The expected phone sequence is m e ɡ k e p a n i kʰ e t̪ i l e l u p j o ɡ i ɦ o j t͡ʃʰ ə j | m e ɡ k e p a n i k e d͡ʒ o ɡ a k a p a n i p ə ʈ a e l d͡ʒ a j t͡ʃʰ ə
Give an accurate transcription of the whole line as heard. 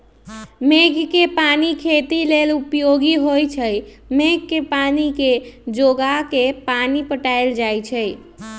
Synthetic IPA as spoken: m e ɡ k e p a n i kʰ e t̪ i l e l u p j o ɡ i ɦ o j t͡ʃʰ ə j | m e ɡ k e p a n i k e d͡ʒ o ɡ a k e p a n i p ə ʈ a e l d͡ʒ a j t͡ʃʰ ə